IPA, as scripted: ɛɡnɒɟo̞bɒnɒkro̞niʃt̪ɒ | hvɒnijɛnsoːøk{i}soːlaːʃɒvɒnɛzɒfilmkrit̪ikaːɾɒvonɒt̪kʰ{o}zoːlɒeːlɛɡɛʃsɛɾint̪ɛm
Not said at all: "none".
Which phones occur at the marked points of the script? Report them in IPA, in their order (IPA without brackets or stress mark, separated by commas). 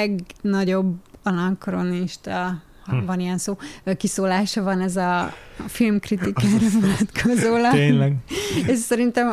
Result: i, o